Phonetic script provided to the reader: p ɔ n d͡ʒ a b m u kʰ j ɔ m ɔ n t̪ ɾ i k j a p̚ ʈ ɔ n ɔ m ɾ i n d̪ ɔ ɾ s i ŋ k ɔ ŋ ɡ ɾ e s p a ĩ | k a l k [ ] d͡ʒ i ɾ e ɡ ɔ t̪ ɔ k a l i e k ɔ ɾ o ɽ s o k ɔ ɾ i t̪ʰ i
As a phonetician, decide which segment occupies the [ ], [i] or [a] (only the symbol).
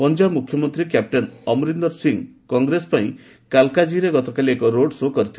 a